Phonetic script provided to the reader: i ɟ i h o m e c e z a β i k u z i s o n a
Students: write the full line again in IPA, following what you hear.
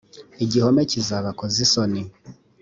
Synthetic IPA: i ɟ i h o m e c i z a β a k o z i s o n i

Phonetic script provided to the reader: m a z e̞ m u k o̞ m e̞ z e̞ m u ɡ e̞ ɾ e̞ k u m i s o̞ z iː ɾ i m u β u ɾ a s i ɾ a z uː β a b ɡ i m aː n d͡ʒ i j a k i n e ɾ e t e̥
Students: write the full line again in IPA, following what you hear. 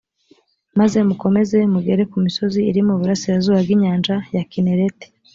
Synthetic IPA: m a z e̞ m u k o̞ m e̞ z e̞ m u ɡ e̞ ɾ e̞ k u m i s o̞ z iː ɾ i m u β u ɾ a s i ɾ a z uː β a b ɡ i ɲ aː n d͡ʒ a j a k i n e ɾ e t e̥

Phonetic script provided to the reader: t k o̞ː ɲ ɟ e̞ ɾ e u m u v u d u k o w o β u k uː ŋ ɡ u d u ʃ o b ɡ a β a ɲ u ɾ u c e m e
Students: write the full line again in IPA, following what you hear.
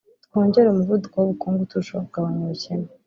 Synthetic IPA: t k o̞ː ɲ ɟ e̞ ɾ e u m u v u d u k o w o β u k uː ŋ ɡ u t u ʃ o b ɡ a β a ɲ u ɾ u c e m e

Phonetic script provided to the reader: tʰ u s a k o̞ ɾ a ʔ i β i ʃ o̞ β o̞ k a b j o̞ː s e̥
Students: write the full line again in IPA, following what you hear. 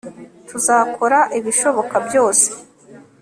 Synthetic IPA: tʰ u z a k o̞ ɾ a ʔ i β i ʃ o̞ β o̞ k a b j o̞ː s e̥

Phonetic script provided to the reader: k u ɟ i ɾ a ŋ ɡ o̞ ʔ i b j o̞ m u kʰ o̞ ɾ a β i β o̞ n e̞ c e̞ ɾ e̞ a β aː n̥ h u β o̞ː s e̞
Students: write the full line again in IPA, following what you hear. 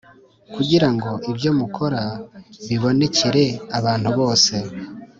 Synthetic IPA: k u ɟ i ɾ a ŋ ɡ o̞ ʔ i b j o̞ m u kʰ o̞ ɾ a β i β o̞ n e̞ c e̞ ɾ e̞ a β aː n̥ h u β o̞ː s e̞

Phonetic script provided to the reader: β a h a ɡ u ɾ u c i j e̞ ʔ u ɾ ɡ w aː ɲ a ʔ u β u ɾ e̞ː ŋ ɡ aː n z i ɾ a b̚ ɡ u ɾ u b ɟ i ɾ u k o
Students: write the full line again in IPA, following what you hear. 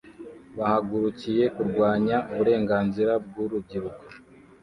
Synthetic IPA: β a h a ɡ u ɾ u c i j e̞ k u ɾ ɡ w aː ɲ a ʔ u β u ɾ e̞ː ŋ ɡ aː n z i ɾ a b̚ ɡ u ɾ u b ɟ i ɾ u k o

